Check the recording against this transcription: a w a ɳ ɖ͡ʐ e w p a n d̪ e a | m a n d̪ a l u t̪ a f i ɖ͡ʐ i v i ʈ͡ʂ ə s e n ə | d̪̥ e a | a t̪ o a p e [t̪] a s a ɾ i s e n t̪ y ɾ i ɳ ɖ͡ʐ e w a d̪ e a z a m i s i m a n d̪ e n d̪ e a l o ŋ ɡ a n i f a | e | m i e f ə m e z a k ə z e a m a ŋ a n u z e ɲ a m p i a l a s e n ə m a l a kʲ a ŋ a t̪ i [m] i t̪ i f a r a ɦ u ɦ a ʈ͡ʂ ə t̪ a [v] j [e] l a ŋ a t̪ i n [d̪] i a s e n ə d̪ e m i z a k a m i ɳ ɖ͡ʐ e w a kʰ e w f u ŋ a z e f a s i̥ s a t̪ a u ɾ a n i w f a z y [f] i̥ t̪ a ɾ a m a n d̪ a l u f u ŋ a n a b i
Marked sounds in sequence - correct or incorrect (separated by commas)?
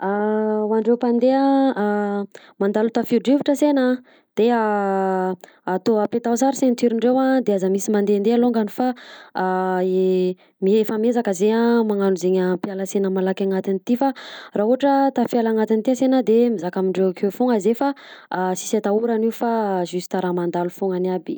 correct, incorrect, incorrect, incorrect, incorrect, incorrect